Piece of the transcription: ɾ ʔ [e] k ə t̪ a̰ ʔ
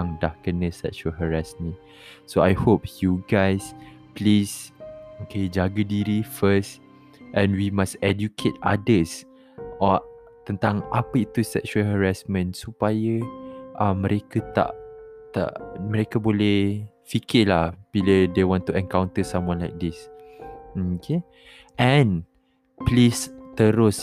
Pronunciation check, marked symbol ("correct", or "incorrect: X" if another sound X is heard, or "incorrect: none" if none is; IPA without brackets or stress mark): correct